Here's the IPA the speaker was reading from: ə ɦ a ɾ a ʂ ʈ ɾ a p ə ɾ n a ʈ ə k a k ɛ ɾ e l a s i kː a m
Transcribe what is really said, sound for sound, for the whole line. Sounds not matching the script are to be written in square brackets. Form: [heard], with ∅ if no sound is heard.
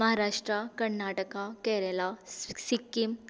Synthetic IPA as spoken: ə ɦ a ɾ a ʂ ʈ ɾ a [k] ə ɾ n a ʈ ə k a k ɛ ɾ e l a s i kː [i] m